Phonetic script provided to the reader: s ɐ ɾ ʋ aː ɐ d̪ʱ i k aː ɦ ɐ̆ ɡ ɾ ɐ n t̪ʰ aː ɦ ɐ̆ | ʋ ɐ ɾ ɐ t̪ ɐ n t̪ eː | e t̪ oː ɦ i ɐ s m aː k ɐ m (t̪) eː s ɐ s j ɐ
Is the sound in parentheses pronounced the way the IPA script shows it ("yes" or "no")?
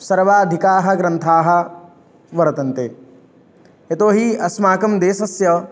no